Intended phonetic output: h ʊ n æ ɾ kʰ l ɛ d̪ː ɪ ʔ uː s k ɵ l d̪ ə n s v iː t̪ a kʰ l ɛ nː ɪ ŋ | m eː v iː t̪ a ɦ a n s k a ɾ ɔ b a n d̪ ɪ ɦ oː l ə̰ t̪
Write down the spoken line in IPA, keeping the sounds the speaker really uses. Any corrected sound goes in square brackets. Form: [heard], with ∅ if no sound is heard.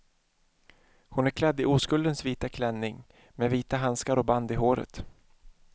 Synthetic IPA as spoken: h ʊ n æ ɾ kʰ l ɛ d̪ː ɪ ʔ uː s k ɵ l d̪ ə n s v iː t̪ a kʰ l ɛ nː ɪ ŋ | m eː v iː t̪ a ɦ a n s k a ɾ ɔ b a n d̪ ɪ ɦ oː [ɾ] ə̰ t̪